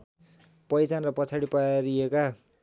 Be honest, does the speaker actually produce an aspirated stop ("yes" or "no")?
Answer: yes